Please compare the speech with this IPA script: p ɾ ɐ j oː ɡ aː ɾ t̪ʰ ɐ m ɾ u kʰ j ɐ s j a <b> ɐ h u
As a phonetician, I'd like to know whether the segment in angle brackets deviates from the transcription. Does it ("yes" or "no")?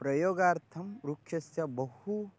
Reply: no